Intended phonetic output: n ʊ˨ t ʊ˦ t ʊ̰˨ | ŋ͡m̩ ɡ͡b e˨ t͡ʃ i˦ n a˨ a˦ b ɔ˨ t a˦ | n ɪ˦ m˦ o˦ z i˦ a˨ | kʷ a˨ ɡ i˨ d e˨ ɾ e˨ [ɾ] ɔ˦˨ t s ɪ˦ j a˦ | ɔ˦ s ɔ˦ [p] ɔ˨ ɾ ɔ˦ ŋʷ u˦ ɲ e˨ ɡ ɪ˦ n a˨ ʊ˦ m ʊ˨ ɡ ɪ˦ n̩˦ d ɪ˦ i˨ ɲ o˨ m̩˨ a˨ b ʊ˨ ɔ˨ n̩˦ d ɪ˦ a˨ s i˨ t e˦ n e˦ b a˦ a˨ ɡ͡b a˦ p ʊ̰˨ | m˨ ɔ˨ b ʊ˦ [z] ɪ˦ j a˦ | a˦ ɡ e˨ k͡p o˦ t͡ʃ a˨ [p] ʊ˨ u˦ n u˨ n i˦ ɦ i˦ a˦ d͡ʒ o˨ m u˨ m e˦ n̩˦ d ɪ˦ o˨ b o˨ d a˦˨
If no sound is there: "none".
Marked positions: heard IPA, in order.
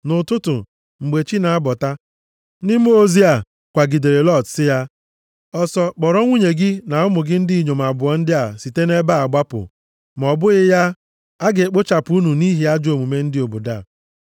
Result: l, k͡p, ɣ, p

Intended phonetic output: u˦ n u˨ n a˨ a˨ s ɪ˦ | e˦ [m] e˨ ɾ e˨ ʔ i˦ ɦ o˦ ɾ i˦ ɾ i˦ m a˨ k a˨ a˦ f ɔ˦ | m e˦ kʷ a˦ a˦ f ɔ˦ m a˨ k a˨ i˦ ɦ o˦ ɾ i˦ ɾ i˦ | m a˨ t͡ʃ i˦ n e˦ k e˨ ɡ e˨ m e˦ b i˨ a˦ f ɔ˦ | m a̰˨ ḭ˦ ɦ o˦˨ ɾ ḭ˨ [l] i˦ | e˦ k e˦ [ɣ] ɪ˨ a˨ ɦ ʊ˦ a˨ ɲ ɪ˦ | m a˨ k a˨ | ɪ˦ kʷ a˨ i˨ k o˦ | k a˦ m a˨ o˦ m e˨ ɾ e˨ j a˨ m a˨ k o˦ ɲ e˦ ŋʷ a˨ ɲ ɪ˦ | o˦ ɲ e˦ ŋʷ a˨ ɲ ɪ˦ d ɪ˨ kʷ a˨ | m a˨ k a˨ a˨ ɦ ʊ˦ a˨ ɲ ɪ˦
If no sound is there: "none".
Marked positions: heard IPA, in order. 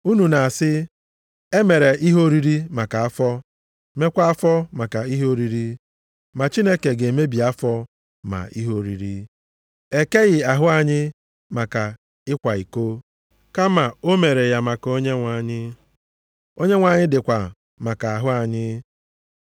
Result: m, ɾ, ɣ

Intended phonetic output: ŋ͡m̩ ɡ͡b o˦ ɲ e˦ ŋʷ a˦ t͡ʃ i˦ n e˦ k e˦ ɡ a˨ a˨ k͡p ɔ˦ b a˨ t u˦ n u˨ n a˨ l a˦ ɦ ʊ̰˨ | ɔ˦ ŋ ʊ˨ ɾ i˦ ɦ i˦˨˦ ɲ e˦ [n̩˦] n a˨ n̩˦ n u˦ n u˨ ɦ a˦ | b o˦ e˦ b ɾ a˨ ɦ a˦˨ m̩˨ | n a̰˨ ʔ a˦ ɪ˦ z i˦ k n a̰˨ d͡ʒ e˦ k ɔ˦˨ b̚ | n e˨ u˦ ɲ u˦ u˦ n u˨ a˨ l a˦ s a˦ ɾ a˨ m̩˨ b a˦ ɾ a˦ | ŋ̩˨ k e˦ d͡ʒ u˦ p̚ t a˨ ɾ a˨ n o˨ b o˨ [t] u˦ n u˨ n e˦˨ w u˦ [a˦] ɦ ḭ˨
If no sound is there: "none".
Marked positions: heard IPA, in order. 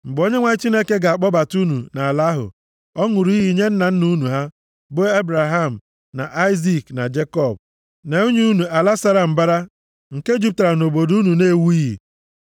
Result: n̩˦, d, i˦

